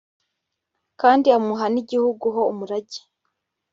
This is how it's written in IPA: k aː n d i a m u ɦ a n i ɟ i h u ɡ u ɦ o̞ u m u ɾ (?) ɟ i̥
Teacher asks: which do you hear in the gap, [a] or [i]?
a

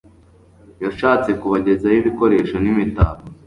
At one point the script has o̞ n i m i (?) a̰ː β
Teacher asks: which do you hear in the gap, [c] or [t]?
t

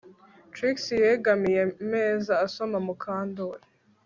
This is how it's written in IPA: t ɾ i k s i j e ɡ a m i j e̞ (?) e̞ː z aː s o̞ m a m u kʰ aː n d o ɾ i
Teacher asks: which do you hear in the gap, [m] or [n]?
m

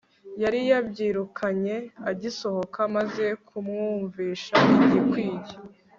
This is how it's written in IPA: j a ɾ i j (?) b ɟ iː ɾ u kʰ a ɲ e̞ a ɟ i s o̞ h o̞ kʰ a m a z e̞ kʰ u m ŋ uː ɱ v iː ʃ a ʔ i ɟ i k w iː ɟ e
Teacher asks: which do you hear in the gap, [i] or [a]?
a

